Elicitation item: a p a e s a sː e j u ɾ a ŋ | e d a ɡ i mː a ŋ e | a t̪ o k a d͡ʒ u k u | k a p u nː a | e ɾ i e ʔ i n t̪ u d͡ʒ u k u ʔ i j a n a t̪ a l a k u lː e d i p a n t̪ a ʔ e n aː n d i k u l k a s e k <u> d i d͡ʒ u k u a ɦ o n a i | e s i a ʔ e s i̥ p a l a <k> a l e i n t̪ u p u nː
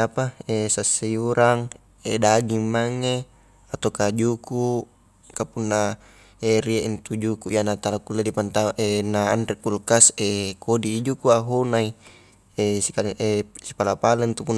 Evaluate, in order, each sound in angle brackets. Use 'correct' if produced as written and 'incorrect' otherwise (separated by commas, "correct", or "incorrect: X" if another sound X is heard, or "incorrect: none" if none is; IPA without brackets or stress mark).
incorrect: o, incorrect: p